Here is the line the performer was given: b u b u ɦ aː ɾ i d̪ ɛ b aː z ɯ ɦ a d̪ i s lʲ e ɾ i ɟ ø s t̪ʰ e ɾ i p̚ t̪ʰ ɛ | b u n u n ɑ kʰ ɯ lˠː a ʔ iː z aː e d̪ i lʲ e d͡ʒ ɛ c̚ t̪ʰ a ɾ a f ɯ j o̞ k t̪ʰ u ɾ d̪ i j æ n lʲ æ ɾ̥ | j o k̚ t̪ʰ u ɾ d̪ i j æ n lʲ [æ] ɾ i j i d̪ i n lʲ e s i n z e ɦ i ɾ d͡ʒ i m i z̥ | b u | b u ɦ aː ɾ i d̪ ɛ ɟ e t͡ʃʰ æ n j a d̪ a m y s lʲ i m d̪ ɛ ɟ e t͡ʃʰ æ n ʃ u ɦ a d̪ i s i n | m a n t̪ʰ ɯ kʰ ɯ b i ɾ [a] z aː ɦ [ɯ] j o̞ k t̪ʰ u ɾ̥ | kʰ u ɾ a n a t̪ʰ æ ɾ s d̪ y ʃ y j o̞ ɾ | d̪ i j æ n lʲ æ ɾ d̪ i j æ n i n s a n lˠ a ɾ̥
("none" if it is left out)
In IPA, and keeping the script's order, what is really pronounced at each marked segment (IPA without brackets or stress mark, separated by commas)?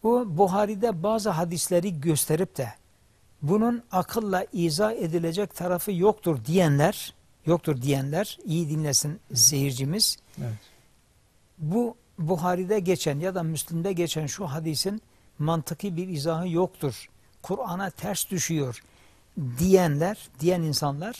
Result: æ, i, ɯ